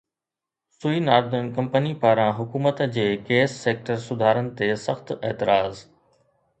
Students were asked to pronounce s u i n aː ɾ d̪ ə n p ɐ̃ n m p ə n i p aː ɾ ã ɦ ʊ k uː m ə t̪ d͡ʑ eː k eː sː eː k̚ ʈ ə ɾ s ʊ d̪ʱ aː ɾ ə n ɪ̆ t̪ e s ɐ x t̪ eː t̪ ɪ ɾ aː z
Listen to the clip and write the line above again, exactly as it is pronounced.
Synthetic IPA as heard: s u i n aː ɾ d̪ ə n k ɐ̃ m p ə n i p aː ɾ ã ɦ ʊ k uː m ə t̪ d͡ʑ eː k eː sː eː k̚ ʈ ə ɾ s ʊ d̪ʱ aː ɾ ə n ɪ̆ t̪ e s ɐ x t̪ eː t̪ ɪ ɾ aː z